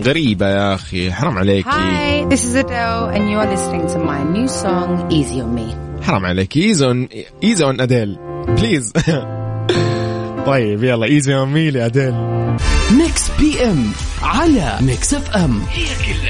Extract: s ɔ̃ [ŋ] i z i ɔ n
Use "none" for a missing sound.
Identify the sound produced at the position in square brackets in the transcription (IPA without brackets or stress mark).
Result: ŋ